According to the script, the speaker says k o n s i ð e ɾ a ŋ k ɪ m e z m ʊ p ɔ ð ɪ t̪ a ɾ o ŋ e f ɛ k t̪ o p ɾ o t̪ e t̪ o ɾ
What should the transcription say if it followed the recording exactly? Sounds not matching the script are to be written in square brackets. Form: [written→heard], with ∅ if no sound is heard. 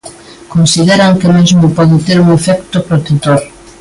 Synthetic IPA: k o n s i ð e ɾ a ŋ k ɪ m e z m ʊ p ɔ ð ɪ t̪ [a→e] ɾ [o→u] ŋ e f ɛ k t̪ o p ɾ o t̪ e t̪ o ɾ

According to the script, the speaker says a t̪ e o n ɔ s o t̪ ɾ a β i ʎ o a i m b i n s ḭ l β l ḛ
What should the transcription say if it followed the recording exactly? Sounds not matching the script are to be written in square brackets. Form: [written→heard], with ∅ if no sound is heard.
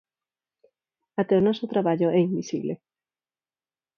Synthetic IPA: a t̪ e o n ɔ s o t̪ ɾ a β [i→a] ʎ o [a→ɛ] i m b i [n→∅] s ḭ [l→∅] β l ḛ

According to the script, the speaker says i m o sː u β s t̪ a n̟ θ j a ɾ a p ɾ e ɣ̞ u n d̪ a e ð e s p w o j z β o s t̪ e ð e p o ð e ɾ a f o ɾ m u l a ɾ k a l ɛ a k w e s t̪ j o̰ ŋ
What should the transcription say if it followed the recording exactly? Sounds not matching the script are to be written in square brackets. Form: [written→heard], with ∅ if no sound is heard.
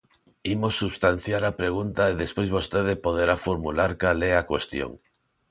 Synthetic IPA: i m o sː u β s t̪ a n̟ θ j a ɾ a p ɾ e ɣ̞ u n [d̪→t̪] a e ð e s p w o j z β o s t̪ e ð e p o ð e ɾ a f o ɾ m u l a ɾ k a l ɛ a k w e s t̪ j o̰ ŋ

